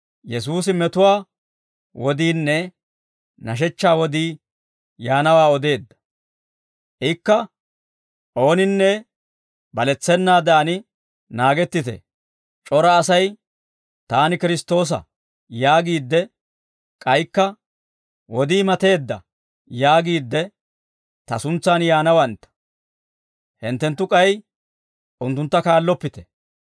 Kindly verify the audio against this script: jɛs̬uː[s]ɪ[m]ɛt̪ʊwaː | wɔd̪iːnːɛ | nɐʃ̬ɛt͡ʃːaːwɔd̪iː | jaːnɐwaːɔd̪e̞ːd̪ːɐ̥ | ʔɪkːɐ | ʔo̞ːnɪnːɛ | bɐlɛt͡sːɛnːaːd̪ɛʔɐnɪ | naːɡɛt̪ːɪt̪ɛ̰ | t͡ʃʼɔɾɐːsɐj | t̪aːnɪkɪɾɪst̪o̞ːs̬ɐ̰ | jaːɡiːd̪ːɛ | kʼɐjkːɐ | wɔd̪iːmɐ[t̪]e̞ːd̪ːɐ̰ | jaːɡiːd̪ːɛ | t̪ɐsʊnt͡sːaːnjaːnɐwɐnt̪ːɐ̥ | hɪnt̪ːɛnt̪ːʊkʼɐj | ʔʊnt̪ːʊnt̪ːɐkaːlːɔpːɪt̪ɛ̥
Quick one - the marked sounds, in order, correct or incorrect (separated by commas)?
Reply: correct, correct, correct